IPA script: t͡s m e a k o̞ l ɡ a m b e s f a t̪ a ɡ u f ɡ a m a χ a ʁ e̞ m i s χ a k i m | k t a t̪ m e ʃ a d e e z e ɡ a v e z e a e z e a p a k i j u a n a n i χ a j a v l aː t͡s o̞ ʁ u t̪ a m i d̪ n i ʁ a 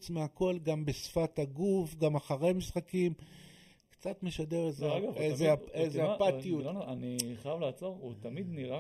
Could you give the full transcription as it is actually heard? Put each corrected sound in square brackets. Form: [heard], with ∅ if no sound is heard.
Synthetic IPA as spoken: t͡s m e a k o̞ l ɡ a m b e s f a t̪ a ɡ u f ɡ a m a χ a ʁ e̞ m i s χ a k i m | k [t͡s] a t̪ m e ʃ a d e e z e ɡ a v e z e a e z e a p a [t] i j u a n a n i χ a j a v l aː t͡s o̞ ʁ u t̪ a m i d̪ n i ʁ a